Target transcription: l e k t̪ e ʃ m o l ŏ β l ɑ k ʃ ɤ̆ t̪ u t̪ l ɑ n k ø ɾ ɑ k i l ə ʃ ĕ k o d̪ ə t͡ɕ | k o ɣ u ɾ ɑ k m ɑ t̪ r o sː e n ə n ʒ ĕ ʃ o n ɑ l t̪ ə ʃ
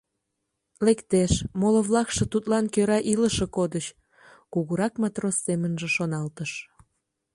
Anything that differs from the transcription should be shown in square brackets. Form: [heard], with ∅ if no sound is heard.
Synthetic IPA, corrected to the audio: l e k t̪ e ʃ m o l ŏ β l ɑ k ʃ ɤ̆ t̪ u t̪ l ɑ n k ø ɾ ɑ [ʔ] i l ə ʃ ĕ k o d̪ ə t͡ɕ | k [u] ɣ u ɾ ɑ k m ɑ t̪ r o sː e [m] ə n ʒ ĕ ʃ o n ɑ l t̪ ə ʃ